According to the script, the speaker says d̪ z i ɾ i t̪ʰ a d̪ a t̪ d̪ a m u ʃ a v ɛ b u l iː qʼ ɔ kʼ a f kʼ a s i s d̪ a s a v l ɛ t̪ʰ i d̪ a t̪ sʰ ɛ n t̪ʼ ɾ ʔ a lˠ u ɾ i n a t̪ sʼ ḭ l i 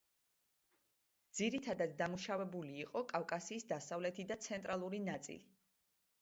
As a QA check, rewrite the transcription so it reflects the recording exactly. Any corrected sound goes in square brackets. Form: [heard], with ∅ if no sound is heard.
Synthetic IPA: d̪ z i ɾ i t̪ʰ a d̪ a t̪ d̪ a m u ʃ a v ɛ b u l iː qʼ ɔ kʼ a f kʼ a s [iː] s d̪ a s a v l ɛ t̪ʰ i d̪ a t̪ sʰ ɛ n t̪ʼ ɾ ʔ a lˠ u ɾ i n a t̪ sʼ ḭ l i